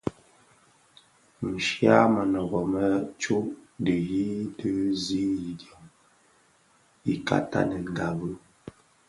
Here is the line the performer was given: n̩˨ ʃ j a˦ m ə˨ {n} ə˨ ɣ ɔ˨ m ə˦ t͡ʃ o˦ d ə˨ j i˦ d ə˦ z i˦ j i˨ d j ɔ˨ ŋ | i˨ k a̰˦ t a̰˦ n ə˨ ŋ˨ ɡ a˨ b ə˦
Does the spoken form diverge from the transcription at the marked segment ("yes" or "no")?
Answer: no